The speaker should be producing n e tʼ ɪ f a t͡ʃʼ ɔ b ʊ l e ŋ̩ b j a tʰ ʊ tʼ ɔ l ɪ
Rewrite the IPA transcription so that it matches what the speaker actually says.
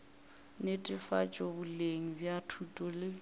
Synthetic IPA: n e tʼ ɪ f a t͡ʃʼ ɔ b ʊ l e ŋ̩ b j a tʰ u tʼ ɔ l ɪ